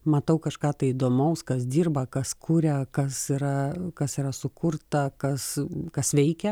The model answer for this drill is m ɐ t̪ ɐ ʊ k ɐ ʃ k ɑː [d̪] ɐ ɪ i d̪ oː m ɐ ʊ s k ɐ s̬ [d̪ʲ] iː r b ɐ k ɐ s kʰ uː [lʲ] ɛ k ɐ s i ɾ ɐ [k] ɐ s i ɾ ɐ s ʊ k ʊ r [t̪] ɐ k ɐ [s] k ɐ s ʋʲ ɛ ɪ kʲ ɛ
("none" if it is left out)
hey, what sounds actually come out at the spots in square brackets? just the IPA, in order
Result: t̪, d̪ʲ, ɾʲ, k, t̪, s

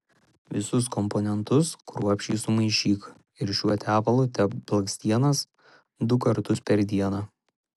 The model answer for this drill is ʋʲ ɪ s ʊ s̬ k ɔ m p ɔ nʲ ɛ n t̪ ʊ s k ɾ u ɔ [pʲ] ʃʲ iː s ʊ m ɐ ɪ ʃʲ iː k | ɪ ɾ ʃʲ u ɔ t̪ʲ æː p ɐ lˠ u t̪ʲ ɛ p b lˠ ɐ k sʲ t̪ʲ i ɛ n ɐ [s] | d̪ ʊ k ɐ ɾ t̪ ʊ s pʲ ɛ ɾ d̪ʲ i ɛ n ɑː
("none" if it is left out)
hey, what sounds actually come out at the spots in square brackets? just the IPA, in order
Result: pʲ, s

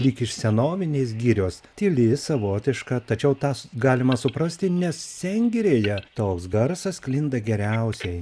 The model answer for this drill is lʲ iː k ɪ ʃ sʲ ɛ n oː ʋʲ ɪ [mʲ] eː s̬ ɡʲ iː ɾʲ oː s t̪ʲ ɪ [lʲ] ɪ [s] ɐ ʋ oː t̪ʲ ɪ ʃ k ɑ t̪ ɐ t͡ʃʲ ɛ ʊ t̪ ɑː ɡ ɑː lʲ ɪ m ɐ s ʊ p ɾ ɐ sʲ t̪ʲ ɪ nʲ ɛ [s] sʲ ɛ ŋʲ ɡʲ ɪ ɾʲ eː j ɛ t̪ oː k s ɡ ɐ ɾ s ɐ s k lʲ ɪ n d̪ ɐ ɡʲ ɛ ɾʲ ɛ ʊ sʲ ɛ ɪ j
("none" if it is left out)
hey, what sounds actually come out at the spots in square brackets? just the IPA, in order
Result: nʲ, lʲ, s, s

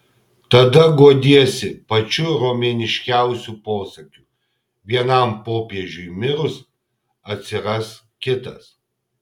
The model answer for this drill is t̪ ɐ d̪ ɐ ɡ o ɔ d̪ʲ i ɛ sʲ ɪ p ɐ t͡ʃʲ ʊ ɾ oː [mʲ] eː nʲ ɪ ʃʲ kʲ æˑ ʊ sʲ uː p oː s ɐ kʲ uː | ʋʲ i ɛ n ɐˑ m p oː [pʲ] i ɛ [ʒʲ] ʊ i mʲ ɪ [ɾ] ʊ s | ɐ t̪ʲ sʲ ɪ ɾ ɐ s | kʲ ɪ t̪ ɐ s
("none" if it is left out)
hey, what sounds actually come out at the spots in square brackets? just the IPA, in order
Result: mʲ, pʲ, ʒʲ, ɾ

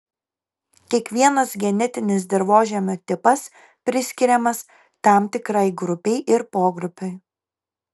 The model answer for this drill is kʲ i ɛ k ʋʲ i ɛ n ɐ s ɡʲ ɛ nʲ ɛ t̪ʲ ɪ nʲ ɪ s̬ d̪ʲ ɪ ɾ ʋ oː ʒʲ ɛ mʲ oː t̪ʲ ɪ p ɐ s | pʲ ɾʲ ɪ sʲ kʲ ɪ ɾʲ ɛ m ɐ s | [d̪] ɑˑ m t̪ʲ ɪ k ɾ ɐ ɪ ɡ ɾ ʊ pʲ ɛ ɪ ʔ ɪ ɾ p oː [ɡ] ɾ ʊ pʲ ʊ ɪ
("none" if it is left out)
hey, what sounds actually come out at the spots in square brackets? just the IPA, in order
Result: t̪, ɡ

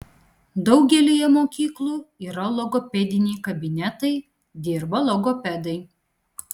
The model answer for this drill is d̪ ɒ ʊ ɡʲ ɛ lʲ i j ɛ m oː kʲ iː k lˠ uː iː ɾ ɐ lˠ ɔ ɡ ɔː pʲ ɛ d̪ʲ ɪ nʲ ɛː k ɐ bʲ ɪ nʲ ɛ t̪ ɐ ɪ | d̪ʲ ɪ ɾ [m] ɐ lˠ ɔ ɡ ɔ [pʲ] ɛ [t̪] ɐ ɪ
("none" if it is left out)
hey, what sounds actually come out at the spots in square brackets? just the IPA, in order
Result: b, pʲ, d̪

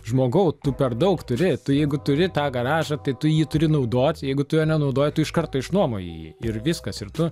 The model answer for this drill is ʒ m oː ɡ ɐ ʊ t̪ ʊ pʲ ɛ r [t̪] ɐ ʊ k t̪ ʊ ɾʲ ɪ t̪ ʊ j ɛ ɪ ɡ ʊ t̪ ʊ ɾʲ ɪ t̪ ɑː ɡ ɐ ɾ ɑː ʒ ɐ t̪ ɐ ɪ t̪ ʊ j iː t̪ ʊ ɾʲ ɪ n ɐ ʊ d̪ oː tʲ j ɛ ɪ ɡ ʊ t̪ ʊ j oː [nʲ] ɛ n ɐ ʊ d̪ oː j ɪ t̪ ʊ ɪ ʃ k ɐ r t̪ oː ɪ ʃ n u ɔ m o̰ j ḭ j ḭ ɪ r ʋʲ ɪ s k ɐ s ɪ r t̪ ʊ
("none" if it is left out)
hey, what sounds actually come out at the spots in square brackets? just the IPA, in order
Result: d̪, nʲ

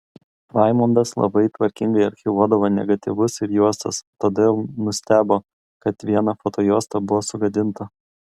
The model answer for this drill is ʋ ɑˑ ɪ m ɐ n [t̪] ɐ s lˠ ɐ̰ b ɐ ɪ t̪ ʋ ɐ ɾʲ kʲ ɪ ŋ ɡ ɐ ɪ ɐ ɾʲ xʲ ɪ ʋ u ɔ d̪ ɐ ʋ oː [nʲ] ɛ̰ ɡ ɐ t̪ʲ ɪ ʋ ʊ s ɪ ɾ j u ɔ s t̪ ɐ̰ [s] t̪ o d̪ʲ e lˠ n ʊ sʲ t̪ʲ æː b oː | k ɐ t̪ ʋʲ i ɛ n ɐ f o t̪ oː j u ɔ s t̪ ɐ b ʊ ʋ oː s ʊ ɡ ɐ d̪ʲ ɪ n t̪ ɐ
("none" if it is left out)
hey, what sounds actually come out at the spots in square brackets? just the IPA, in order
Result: d̪, nʲ, s

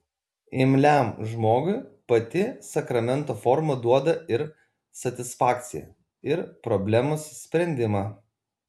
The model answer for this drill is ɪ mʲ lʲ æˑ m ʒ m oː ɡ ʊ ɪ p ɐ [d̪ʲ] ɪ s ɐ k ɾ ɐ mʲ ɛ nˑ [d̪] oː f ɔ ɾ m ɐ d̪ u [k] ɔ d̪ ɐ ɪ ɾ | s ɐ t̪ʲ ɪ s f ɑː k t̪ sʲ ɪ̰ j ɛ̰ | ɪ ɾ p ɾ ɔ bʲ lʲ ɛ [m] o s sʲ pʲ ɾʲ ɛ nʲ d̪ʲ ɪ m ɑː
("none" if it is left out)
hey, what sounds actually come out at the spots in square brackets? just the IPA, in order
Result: t̪ʲ, t̪, none, m

